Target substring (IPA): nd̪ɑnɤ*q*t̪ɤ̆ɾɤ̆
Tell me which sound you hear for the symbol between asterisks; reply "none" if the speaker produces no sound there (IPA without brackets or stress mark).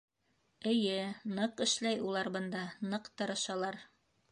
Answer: q